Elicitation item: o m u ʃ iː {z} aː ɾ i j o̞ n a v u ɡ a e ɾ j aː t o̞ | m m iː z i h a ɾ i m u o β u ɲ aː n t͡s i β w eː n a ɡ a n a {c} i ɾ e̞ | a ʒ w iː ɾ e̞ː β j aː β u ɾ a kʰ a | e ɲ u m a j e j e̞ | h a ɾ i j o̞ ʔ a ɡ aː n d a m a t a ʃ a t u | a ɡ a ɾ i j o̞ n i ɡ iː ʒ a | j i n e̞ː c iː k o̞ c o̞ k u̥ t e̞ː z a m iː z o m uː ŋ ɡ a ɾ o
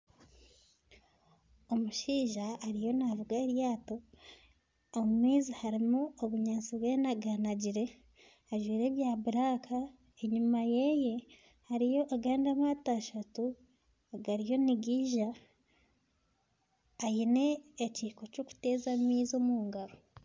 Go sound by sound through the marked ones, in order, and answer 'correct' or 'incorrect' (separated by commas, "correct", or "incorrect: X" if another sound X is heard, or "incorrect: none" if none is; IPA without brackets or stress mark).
incorrect: ʒ, incorrect: ɟ